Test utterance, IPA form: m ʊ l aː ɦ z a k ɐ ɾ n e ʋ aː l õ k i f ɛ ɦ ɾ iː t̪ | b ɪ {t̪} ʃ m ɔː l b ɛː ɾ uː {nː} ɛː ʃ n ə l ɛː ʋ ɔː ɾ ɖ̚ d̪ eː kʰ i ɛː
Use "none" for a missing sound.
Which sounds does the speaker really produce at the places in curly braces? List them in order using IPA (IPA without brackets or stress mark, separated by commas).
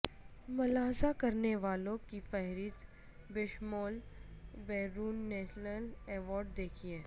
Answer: none, nː